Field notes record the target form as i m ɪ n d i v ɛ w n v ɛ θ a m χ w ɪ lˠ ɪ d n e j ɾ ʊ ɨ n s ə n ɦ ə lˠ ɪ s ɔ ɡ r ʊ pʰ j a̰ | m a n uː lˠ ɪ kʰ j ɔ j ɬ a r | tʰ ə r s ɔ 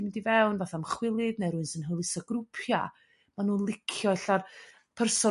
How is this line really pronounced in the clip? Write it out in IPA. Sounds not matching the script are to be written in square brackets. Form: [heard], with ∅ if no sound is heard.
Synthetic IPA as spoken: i m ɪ n d i v ɛ w n v [a] θ a m χ w ɪ lˠ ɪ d n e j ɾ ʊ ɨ n s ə n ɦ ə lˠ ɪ s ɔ ɡ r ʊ pʰ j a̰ | m a n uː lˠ ɪ kʰ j ɔ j ɬ a r | [pʰ] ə r s ɔ